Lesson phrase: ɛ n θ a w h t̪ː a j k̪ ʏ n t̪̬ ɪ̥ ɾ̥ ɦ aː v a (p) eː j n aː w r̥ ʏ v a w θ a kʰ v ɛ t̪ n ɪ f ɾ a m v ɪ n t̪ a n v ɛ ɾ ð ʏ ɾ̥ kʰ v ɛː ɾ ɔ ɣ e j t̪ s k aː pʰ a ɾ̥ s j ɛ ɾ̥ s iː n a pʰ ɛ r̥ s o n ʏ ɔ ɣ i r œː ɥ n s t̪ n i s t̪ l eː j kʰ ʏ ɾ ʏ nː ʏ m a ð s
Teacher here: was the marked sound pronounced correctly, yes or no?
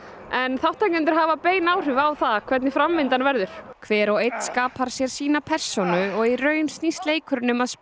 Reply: yes